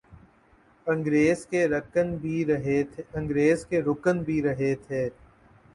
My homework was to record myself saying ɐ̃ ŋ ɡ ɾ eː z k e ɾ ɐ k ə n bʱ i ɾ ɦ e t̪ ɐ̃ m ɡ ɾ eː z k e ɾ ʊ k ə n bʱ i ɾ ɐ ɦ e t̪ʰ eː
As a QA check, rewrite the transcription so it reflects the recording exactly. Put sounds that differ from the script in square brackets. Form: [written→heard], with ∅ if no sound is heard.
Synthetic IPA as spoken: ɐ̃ ŋ ɡ ɾ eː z k e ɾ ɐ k ə n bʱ i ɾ ɦ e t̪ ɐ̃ [m→ŋ] ɡ ɾ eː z k e ɾ ʊ k ə n bʱ i ɾ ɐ ɦ e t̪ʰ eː